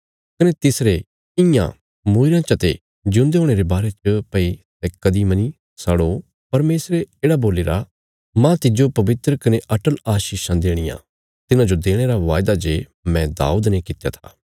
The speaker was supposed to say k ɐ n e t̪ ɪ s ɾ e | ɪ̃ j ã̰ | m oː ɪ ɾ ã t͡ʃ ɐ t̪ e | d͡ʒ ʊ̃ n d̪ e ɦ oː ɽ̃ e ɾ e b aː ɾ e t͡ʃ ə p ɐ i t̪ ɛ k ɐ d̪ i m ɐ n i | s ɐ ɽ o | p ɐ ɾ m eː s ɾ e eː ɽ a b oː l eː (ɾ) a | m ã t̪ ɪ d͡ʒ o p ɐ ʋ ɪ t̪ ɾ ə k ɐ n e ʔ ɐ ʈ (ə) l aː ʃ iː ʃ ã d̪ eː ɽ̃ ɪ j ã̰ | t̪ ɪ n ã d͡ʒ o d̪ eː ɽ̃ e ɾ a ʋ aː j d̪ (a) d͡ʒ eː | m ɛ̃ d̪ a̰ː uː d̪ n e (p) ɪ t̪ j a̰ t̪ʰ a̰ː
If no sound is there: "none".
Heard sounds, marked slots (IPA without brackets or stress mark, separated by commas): ɾ, ə, a, k